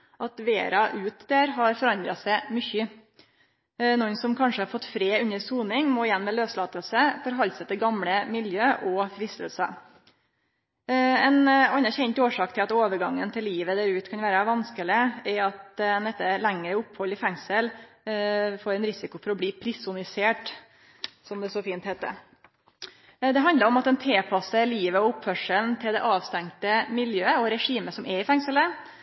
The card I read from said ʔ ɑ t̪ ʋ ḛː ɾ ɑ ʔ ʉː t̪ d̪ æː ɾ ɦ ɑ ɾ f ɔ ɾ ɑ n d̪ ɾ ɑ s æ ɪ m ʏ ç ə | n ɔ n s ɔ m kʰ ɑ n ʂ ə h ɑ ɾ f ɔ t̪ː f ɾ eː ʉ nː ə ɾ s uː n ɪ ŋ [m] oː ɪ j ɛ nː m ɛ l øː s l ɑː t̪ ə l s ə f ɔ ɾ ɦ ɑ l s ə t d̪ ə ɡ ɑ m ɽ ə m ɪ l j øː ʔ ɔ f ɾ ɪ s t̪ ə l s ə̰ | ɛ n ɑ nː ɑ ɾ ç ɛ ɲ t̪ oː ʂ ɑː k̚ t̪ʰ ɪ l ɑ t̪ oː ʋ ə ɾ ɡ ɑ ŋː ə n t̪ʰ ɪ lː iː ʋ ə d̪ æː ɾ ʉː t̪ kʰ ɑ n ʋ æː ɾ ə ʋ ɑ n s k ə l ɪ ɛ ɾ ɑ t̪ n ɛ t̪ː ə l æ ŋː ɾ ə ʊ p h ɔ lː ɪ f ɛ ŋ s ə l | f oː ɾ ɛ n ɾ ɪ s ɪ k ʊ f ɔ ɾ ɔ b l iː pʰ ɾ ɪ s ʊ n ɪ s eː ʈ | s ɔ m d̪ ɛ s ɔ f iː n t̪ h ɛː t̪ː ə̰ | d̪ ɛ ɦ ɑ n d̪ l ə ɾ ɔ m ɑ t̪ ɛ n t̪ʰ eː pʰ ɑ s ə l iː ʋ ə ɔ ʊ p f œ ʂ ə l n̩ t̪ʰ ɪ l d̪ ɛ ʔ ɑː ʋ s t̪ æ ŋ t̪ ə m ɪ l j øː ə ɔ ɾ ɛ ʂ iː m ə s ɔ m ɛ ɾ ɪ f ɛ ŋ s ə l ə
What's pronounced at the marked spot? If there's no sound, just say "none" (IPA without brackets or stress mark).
m